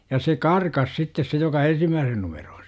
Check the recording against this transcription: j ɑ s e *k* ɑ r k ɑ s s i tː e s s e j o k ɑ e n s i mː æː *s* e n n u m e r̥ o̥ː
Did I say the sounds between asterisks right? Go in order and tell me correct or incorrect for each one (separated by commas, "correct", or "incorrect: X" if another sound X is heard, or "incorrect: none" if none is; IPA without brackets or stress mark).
correct, correct